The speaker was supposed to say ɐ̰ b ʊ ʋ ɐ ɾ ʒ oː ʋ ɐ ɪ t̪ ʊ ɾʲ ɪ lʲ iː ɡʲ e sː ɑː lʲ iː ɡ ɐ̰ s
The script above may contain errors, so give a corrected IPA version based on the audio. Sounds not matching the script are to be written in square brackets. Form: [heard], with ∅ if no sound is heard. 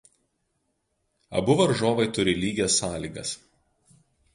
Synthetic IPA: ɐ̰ b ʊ ʋ ɐ ɾ ʒ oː ʋ ɐ ɪ t̪ ʊ ɾʲ ɪ lʲ iː ɡʲ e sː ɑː lʲ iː ɡ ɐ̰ s